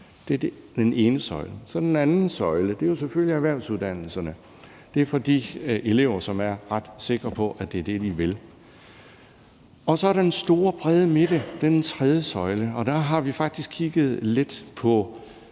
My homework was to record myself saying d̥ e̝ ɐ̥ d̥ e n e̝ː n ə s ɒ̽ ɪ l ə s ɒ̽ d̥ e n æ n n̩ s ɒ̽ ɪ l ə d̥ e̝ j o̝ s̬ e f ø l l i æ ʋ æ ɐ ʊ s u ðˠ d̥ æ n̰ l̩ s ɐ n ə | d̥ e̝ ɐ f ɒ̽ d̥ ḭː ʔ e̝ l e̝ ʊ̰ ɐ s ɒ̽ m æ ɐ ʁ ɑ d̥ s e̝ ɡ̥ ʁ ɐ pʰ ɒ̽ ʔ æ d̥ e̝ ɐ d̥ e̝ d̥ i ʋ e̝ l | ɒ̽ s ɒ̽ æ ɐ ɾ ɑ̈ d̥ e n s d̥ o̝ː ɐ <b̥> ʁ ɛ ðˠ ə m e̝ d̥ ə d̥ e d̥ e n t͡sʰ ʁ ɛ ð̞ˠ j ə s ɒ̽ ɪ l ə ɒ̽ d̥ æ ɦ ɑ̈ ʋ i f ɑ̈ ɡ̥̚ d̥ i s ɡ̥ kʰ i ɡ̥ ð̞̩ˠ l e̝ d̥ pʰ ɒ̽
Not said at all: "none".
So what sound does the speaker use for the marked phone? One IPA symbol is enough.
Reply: b̥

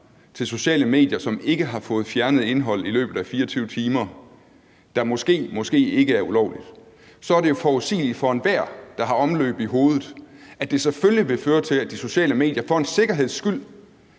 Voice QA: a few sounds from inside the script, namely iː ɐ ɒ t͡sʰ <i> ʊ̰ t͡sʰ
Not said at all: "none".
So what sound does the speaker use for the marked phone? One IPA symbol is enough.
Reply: y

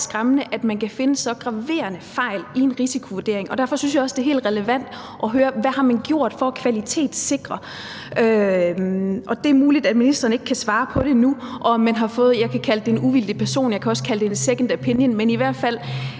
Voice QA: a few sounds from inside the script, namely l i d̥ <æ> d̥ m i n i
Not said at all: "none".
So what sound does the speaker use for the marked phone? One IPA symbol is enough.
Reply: æ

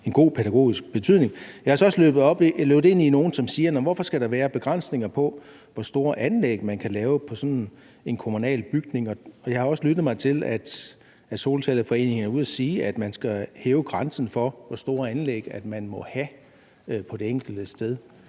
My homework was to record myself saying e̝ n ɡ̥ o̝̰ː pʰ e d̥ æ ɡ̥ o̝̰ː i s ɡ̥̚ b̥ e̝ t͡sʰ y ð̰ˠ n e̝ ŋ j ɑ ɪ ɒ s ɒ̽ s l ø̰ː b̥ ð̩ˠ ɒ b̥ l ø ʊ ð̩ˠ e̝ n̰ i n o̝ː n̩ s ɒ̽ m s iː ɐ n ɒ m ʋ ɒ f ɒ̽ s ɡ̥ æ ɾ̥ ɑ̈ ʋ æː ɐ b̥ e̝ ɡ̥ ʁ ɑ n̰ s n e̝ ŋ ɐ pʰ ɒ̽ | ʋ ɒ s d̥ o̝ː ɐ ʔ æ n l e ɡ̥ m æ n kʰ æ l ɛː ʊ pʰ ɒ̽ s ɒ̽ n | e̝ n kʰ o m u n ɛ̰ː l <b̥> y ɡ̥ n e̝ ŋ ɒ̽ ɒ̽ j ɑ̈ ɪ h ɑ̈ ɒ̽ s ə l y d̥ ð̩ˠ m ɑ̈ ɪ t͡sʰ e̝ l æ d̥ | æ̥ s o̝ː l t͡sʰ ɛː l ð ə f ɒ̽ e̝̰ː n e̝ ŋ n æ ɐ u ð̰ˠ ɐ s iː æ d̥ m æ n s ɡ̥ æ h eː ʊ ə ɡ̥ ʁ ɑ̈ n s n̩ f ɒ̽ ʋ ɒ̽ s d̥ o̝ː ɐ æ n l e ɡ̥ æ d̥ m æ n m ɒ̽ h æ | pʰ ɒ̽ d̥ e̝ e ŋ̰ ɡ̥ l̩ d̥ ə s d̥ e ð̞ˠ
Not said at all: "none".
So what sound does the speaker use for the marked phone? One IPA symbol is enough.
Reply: b̥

